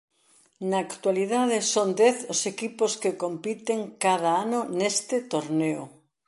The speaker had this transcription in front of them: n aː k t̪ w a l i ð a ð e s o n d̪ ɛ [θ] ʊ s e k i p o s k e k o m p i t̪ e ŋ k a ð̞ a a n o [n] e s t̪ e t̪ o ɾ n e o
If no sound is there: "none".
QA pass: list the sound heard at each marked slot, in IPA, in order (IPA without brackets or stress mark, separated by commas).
θ, n